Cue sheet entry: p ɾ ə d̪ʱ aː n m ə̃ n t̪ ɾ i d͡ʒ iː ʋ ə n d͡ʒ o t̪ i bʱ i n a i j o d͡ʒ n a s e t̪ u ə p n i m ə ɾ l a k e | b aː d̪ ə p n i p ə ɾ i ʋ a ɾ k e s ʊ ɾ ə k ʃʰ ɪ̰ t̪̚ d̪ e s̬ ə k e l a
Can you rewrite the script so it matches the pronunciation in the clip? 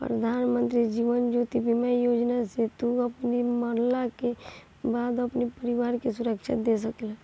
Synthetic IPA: p ɾ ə d̪ʱ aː n m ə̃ n t̪ ɾ i d͡ʒ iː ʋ ə n d͡ʒ o t̪ i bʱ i m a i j o d͡ʒ n a s e t̪ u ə p n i m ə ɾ l a k e | b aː d̪ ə p n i p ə ɾ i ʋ a ɾ k e s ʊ ɾ ə k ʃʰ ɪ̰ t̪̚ d̪ e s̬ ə k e l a